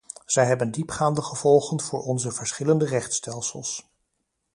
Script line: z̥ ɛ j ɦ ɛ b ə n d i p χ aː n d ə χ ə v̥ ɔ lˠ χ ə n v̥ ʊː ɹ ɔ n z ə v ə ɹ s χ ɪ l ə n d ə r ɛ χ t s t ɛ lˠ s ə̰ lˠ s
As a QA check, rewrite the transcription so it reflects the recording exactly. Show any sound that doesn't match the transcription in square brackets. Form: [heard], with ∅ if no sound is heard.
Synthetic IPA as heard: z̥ ɛ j ɦ ɛ b ə n d i p χ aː n d ə χ ə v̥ ɔ lˠ χ ə n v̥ ʊː ɹ ɔ n z ə v ə ɹ s χ ɪ l ə n d ə r ɛ χ t s t ɛ lˠ s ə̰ lˠ s